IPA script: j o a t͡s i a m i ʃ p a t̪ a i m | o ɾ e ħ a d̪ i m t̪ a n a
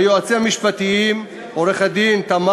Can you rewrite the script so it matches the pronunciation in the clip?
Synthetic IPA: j o a t͡s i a m i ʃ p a t̪ i i m | o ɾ e χ a d̪ i n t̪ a m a

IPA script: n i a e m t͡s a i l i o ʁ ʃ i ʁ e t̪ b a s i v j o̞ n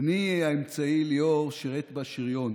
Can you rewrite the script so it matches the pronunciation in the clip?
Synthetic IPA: n i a e m t͡s a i l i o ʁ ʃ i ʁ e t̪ b a ʃ i ʁ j o̞ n

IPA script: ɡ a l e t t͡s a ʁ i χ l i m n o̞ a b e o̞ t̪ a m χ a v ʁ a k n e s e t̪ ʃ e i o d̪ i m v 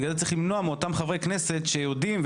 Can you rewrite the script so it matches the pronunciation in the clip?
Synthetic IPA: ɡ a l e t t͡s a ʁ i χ l i m n o̞ a m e o̞ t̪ a m χ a v ʁ e k n e s e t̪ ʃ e j o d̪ i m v

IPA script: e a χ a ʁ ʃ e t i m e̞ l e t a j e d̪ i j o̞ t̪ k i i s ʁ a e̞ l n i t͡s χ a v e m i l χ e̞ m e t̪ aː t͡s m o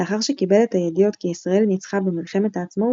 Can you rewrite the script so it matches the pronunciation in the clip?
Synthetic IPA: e a χ a ʁ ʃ e k i b e̞ l e t a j e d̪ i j o̞ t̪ k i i s ʁ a e̞ l n i t͡s χ a b e m i l χ e̞ m e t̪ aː t͡s m o

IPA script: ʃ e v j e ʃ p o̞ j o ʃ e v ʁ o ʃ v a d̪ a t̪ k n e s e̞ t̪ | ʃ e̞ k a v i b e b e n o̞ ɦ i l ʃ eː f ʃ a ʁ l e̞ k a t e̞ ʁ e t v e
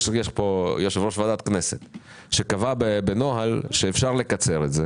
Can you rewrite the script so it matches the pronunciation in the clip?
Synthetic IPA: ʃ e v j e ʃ p o̞ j o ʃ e v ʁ o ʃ v a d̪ a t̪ k n e s e̞ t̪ | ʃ e̞ k a v a b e b e n o̞ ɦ a l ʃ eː f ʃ a ʁ l e̞ k a t͡s e̞ ʁ e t z e

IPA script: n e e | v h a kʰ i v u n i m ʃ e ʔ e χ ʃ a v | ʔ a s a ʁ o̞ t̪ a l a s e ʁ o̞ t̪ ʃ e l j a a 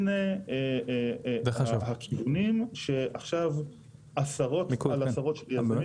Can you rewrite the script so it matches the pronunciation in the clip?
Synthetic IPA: n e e | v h a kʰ i v u n i m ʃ e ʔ a χ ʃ a v | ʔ a s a ʁ o̞ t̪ a l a s a ʁ o̞ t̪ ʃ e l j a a

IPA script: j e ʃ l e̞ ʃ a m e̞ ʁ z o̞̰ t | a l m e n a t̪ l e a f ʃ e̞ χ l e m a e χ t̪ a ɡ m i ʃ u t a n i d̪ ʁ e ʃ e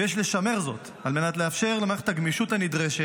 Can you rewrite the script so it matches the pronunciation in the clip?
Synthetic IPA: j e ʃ l e̞ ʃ a m e̞ ʁ z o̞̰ t | a l m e n a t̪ l e a f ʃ e̞ ʁ l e m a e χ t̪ a ɡ m i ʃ u t a n i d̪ ʁ e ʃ e

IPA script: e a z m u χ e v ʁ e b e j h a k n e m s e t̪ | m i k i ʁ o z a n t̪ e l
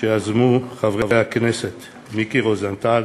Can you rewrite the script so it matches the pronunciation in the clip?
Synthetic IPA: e a z m u χ a v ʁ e v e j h a k n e s e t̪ | m i k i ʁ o z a n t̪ a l

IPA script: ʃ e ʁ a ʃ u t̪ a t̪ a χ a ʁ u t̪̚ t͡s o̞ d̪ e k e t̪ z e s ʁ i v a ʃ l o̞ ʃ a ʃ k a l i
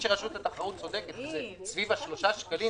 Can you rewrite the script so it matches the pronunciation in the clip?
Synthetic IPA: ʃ e ʁ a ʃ u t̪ a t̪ a χ a ʁ u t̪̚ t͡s o̞ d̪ e k e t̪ z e s v i v a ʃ l o̞ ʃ a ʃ k a l i

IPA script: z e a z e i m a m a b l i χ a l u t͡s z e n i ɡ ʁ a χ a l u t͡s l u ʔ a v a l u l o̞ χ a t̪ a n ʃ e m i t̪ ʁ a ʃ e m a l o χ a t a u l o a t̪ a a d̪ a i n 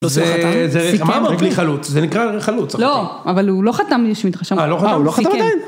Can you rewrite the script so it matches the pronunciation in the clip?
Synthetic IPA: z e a z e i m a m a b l i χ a l u t͡s z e n i k ʁ a χ a l u t͡s l o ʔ a v a l u l o̞ χ a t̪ a m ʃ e m i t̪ ʁ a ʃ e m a l o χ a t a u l o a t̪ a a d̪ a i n

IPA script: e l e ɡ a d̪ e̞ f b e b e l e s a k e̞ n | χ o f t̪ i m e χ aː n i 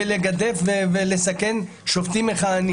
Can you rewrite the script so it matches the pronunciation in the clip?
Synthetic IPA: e l e ɡ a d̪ e̞ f v e v e l e s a k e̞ n | ʃ o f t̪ i m e χ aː n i

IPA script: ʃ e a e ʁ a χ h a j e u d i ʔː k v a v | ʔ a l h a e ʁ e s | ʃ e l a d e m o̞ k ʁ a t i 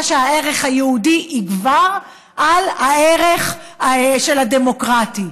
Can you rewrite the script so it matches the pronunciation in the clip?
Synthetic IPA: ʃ e a e ʁ e χ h a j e u d i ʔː ɡ v a ʁ | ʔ a l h a e ʁ e χ | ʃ e l a d e m o̞ k ʁ a t i

